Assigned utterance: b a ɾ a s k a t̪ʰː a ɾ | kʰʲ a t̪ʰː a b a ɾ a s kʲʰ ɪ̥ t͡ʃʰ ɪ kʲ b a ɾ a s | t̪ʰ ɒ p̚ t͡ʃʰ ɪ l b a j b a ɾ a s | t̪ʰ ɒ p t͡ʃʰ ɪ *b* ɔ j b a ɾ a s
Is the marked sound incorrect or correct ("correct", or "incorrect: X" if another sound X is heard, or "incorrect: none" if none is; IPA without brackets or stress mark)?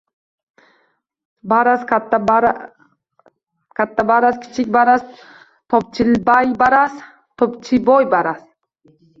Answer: correct